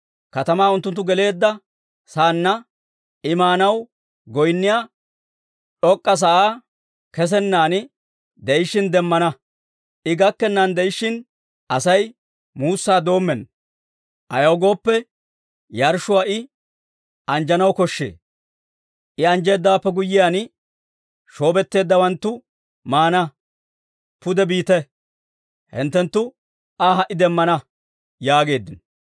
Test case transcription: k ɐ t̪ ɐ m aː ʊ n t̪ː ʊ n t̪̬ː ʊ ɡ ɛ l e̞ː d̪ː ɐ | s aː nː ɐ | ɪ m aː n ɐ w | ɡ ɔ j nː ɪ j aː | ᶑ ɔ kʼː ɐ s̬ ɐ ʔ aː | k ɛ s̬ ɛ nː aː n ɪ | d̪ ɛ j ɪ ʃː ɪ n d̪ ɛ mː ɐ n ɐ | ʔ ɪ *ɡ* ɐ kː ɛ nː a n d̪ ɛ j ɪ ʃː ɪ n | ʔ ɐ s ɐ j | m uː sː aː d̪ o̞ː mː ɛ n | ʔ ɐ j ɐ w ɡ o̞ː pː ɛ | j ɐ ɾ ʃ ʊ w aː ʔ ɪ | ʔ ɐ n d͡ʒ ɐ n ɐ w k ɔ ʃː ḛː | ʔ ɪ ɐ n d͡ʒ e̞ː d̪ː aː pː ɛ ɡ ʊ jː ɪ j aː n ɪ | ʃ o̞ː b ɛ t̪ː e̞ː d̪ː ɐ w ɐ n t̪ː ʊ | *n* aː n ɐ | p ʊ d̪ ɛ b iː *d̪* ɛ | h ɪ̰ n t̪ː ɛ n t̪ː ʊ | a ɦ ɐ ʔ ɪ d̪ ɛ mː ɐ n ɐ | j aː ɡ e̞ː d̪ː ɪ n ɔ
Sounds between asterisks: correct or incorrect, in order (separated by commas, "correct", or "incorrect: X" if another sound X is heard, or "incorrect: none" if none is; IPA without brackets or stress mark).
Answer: correct, incorrect: m, incorrect: t̪